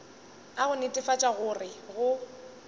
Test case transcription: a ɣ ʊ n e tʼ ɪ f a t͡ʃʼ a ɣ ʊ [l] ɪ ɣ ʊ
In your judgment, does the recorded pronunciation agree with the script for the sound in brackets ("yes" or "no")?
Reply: no